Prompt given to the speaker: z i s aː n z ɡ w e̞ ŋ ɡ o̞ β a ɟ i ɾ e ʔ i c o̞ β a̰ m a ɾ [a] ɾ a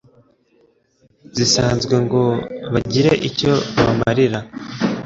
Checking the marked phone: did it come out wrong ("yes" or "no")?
yes